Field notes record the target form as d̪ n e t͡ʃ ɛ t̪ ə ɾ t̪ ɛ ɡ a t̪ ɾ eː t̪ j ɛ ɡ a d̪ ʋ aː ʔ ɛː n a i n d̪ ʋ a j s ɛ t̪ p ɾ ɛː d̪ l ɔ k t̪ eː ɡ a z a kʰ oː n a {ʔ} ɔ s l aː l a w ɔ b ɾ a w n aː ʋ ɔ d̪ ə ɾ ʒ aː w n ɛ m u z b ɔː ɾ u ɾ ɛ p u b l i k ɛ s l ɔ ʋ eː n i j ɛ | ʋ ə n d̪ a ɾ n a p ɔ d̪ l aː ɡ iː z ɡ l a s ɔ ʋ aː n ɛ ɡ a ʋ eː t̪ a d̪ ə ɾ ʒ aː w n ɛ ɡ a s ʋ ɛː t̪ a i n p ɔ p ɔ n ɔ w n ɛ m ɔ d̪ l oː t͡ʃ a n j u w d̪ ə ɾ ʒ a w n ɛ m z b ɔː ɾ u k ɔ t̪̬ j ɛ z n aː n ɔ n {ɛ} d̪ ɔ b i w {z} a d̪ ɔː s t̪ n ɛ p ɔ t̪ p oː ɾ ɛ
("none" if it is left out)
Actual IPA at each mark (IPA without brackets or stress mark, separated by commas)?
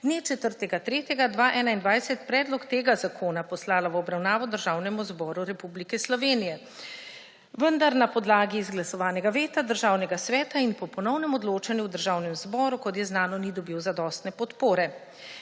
p, i, z